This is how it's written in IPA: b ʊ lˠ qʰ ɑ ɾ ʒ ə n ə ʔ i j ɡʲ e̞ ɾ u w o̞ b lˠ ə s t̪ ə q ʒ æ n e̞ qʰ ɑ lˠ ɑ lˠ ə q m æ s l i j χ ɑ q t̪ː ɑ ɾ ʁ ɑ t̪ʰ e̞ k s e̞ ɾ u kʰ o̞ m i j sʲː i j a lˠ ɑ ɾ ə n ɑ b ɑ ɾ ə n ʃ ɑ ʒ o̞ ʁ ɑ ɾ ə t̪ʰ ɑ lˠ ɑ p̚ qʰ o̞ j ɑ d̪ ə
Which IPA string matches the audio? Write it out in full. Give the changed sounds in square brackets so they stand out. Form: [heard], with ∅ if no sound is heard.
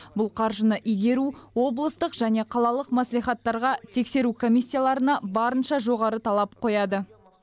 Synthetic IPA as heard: b ʊ lˠ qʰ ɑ ɾ ʒ ə n ə ʔ i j ɡʲ e̞ ɾ u w o̞ b lˠ ə s t̪ ə q ʒ æ n e̞ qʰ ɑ lˠ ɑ lˠ ə q m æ s l i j χ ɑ [∅] t̪ː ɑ ɾ ʁ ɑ t̪ʰ e̞ k s e̞ ɾ u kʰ o̞ m i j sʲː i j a lˠ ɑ ɾ ə n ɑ b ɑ ɾ ə n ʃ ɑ ʒ o̞ ʁ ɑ ɾ ə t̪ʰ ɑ lˠ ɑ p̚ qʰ o̞ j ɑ d̪ ə